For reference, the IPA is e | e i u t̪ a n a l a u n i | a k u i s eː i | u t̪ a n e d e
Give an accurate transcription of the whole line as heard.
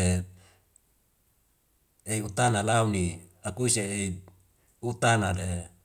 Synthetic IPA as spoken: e | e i u t̪ a n a l a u n i | a k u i s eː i | u t̪ a n a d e